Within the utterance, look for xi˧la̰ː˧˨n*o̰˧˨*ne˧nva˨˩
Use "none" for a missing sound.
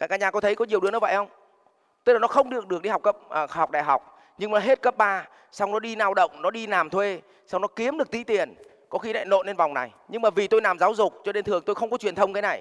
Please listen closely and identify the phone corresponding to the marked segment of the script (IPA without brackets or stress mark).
o̰˧˨